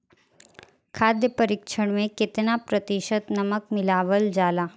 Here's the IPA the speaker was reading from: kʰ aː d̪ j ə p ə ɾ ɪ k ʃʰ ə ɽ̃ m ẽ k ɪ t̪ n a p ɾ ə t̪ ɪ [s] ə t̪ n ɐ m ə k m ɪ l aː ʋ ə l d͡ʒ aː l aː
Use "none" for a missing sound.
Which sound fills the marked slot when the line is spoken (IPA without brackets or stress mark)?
ʃ